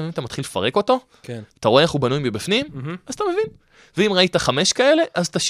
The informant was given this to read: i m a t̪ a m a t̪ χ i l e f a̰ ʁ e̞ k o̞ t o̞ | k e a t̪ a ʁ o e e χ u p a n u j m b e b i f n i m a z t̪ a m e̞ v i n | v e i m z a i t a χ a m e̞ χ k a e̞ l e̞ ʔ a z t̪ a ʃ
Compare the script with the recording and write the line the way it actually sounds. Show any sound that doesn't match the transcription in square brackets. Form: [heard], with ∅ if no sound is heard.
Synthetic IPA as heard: i m a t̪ a m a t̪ χ i l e f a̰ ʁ e̞ k o̞ t o̞ | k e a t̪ a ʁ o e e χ u [b] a n u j m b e b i f n i m a z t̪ a m e̞ v i n | v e i m [ʁ] a i t a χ a m e̞ [ʃ] k a e̞ l e̞ ʔ a z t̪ a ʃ